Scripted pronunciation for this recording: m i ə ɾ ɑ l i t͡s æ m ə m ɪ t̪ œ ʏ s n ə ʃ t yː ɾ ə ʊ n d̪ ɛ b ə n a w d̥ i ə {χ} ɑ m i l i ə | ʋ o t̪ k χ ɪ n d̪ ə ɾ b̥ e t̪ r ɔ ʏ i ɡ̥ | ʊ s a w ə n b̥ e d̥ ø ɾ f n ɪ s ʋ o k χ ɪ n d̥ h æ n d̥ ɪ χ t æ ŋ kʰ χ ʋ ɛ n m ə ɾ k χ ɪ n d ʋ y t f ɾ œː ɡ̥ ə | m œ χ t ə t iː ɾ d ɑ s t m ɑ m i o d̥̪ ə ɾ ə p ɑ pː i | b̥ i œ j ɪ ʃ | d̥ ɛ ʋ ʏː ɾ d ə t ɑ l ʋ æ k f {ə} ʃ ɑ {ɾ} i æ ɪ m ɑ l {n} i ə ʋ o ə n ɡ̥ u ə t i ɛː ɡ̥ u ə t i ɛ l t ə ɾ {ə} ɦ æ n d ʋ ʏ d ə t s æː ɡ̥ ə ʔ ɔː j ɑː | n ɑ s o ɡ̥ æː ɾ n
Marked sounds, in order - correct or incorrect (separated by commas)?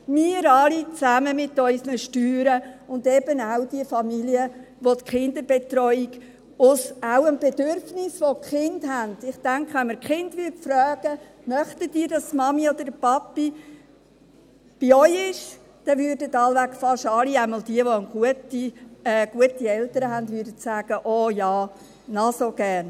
incorrect, incorrect, incorrect, incorrect, correct